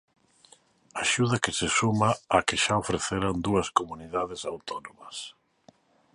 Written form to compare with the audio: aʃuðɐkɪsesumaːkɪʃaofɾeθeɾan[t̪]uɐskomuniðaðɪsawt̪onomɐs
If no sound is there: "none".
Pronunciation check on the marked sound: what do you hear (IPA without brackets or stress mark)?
d̪